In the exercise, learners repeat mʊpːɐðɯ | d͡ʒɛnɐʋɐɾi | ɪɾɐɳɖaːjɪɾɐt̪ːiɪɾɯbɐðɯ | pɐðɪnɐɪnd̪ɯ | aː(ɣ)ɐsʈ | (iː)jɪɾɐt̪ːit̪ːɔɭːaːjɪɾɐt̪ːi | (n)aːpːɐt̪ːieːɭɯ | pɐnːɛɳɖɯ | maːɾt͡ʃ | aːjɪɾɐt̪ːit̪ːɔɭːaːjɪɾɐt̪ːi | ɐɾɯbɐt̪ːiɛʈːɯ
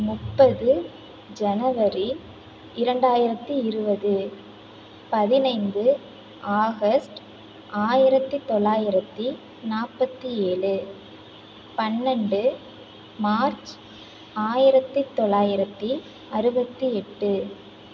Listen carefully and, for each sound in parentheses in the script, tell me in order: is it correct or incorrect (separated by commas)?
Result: correct, incorrect, correct